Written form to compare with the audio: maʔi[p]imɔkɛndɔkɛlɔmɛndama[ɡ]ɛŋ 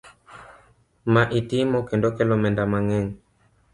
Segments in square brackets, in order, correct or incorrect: incorrect: t, incorrect: ŋ

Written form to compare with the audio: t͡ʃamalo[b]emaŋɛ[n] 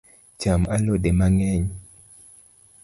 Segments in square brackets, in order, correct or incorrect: incorrect: d, incorrect: ɲ

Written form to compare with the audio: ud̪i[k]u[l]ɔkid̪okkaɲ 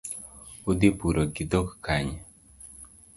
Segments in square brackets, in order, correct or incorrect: incorrect: p, incorrect: ɾ

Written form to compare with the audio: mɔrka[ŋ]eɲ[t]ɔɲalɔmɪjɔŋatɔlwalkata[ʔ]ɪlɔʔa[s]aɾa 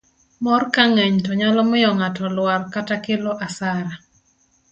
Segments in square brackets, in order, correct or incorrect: correct, correct, incorrect: k, correct

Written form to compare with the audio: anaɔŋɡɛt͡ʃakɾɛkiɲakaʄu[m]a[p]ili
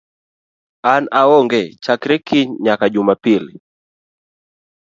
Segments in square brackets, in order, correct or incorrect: correct, correct

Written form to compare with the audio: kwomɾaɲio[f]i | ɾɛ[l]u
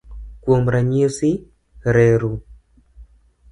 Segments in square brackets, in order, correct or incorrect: incorrect: s, incorrect: ɾ

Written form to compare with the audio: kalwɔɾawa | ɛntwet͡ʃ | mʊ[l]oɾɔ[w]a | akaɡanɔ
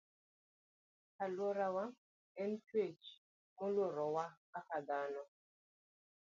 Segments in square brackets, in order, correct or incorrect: correct, correct

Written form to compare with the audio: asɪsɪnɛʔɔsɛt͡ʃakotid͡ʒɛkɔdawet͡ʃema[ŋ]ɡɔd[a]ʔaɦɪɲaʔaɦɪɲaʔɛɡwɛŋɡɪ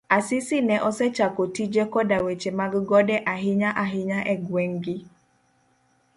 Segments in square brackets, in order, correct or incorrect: incorrect: ɡ, incorrect: ɛ

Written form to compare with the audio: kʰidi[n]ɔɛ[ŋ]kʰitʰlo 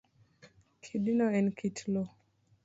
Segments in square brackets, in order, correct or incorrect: correct, incorrect: n

